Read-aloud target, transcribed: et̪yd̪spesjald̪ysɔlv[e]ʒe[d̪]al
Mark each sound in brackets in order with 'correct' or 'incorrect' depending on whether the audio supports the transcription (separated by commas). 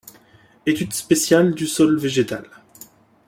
correct, incorrect